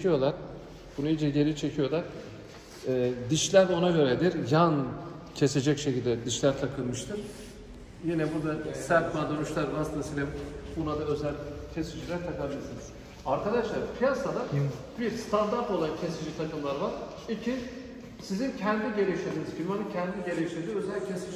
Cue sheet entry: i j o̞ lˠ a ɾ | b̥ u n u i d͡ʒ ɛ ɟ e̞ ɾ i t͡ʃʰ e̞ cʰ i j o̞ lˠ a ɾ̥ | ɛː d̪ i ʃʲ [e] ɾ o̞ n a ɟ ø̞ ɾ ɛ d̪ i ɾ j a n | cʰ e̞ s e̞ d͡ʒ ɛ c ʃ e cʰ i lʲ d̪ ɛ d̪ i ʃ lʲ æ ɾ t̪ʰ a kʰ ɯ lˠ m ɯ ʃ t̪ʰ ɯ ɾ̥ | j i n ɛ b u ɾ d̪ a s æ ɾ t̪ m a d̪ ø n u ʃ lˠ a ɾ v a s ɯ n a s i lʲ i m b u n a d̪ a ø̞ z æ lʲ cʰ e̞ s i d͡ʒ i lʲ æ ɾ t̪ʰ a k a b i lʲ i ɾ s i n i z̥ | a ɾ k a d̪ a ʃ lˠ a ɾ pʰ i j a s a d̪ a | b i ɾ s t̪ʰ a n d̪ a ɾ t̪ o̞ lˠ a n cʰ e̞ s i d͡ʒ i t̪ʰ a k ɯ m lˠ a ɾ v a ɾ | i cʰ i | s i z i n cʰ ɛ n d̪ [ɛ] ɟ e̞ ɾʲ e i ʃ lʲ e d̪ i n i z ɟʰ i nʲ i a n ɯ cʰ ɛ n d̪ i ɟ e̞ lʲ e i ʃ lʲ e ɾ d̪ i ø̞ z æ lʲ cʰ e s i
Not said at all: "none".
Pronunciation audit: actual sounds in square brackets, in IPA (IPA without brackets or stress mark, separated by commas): æ, i